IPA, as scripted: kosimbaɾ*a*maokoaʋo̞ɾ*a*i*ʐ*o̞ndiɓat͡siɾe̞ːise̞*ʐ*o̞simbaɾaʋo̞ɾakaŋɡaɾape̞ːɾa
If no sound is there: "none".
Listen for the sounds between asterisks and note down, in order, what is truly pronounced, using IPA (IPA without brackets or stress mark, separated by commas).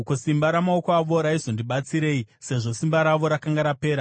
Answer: a, a, z, ʐ